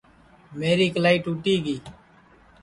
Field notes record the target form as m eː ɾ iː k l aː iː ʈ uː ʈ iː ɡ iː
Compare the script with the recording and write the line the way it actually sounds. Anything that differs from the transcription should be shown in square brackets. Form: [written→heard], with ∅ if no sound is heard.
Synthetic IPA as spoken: m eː ɾ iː k l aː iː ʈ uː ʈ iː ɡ iː